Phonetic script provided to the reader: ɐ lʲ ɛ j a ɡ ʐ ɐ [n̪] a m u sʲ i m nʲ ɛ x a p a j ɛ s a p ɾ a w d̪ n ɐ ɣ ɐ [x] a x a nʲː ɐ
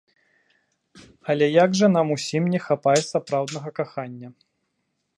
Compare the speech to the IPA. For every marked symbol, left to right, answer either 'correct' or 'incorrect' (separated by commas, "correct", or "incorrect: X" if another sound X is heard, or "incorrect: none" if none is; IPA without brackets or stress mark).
correct, incorrect: k